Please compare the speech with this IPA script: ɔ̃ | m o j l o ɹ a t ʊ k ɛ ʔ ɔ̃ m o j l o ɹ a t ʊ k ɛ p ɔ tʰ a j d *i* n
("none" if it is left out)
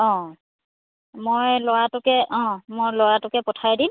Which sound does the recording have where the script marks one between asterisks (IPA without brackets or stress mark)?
i